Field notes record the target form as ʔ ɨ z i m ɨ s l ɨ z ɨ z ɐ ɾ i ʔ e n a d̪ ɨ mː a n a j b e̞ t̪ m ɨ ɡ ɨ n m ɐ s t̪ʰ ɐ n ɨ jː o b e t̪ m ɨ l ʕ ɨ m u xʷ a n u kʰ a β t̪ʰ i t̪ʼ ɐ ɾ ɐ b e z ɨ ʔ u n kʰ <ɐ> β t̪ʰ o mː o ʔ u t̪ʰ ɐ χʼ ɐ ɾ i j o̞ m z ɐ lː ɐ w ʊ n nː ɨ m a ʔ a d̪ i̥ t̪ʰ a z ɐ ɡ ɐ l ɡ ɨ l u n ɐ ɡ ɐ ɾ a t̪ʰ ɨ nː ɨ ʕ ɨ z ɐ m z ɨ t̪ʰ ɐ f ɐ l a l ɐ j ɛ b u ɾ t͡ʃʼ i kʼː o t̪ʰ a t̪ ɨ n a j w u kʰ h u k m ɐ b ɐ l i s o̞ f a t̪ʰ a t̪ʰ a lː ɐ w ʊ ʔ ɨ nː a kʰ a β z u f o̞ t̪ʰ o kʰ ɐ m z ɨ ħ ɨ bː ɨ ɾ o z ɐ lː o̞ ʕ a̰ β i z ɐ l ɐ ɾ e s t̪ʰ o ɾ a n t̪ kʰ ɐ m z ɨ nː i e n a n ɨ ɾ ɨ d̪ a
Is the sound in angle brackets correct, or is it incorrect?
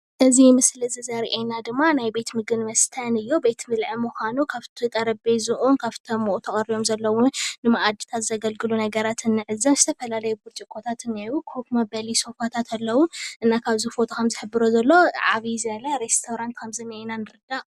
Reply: incorrect